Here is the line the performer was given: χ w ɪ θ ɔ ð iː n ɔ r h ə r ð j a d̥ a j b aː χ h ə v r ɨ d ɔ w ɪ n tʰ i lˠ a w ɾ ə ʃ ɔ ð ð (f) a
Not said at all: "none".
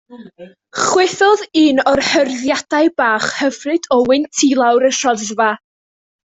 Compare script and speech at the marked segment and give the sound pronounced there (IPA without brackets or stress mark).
v